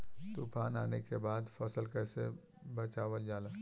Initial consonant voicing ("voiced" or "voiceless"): voiceless